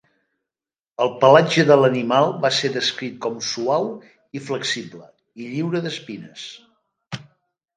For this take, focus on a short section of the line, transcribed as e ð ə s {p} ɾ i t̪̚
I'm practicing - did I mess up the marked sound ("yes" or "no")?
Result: yes